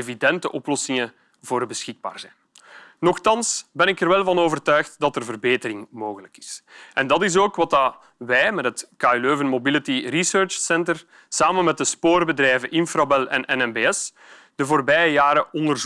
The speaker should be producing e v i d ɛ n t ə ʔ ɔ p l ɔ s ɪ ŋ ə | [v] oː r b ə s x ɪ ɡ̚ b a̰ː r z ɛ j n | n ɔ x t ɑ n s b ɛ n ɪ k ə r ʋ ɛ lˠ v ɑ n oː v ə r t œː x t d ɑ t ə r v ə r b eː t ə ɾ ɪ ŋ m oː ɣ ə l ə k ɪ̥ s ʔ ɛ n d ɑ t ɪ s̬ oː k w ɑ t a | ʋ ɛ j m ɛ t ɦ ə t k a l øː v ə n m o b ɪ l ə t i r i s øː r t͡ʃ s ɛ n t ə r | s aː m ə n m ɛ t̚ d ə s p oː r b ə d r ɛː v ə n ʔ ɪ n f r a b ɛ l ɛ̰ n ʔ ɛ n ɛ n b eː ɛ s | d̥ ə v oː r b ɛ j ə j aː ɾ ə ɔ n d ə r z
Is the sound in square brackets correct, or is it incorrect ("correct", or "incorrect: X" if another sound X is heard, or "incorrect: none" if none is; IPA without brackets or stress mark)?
correct